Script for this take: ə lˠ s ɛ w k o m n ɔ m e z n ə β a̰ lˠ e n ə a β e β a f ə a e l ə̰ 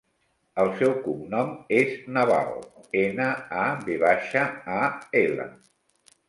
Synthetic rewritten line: ə lˠ s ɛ w k u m n ɔ m e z n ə β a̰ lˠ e n ə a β e β a ʃ ə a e l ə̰